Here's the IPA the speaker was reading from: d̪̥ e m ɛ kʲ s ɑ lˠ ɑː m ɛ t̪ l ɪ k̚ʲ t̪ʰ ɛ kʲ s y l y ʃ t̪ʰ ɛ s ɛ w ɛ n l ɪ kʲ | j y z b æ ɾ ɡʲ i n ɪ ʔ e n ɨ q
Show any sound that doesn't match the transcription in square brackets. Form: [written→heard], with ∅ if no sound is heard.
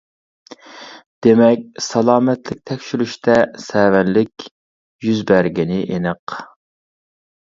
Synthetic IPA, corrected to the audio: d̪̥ e m ɛ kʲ s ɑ lˠ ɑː m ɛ t̪ l ɪ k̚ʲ t̪ʰ ɛ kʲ [s→ʃ] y l y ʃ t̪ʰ ɛ s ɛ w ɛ n l ɪ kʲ | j y z b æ ɾ ɡʲ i n ɪ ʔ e n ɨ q